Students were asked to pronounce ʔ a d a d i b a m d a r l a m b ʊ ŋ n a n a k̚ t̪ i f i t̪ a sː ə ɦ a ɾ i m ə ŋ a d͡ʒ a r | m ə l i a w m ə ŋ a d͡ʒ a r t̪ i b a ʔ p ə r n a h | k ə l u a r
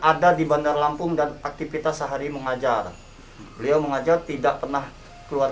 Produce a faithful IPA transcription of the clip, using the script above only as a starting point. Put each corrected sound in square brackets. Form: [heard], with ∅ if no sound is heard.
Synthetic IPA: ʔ a d a d i b a [n] d a r l a m [p] ʊ ŋ [d] a n a k̚ t̪ i f i t̪ a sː ə ɦ a ɾ i m ə ŋ a d͡ʒ a r | [b] ə l i a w m ə ŋ a d͡ʒ a r t̪ i [d] a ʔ p ə r n a h | k ə l u a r